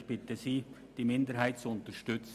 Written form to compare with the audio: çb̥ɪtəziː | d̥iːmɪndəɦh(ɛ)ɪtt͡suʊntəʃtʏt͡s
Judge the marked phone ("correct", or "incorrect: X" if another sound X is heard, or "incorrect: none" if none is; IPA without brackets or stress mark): incorrect: a